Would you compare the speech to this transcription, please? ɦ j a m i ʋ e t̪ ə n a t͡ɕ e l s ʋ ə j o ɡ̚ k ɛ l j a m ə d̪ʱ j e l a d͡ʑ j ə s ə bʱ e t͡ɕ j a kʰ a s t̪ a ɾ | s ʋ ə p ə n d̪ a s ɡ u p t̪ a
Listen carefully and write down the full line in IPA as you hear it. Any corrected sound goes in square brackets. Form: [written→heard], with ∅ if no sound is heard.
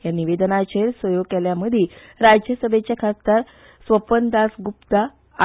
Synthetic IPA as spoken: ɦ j a [m→n] i ʋ e [t̪→d̪] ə n a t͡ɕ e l s ʋ ə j o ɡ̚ k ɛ l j a m ə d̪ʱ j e [l→ɾ] a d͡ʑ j ə s ə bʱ e t͡ɕ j a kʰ a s t̪ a ɾ | s ʋ ə p ə n d̪ a s ɡ u p t̪ a